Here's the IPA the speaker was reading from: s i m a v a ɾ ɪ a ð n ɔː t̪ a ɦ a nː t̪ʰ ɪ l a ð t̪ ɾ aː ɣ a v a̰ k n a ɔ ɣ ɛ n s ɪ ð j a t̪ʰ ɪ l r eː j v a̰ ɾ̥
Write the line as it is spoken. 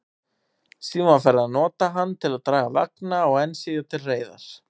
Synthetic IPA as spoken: s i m a f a ɾ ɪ a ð n ɔː t̪ a ɦ a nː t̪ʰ ɪ l a ð t̪ ɾ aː ɣ a v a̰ k n a ɔ ɣ ɛ n s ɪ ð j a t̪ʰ ɪ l r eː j ð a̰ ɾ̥